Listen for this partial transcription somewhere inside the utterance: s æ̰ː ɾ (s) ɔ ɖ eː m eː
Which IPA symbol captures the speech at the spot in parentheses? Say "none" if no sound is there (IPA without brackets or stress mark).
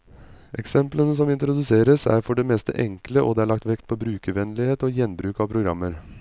f